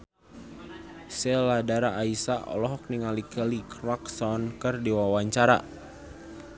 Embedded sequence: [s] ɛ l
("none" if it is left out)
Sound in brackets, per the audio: s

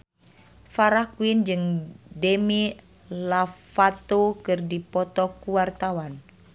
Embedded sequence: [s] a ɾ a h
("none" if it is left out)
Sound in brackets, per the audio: f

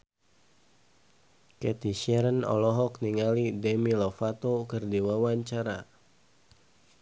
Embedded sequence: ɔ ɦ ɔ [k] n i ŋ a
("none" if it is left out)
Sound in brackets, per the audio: k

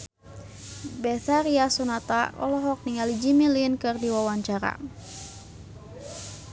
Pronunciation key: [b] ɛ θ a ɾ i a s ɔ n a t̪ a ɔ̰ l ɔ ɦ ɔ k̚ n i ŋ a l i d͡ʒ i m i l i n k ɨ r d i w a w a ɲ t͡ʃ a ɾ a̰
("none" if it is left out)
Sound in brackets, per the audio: b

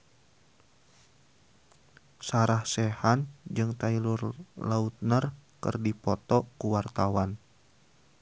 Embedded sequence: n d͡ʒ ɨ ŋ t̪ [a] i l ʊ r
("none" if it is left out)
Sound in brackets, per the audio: a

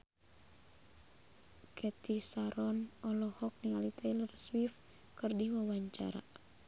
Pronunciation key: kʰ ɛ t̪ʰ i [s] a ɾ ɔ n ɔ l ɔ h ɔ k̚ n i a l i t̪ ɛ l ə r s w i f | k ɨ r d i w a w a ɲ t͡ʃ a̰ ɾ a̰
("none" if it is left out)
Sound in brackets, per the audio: s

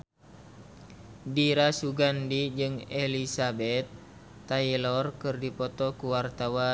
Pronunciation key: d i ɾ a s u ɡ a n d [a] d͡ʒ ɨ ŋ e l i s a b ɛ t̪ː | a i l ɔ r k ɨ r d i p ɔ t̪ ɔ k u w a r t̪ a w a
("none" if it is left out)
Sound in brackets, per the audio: i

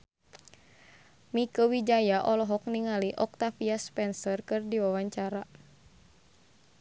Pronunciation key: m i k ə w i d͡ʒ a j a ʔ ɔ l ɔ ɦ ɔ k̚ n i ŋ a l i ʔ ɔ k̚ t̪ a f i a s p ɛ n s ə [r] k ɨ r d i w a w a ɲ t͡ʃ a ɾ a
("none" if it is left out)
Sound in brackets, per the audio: r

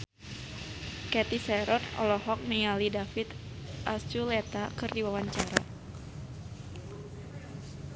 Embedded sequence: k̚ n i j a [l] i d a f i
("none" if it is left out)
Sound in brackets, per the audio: l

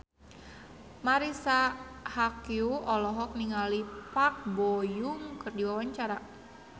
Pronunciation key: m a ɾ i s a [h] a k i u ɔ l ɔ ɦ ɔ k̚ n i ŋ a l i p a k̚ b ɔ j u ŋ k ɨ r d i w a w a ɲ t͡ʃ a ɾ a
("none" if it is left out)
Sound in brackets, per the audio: h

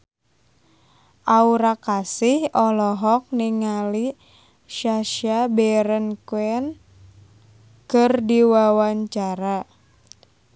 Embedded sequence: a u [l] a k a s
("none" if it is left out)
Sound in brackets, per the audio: ɾ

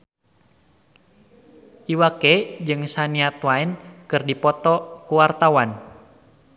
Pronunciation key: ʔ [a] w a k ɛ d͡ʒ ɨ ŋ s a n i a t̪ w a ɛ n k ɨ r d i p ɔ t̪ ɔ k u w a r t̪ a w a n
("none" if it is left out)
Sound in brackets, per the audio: i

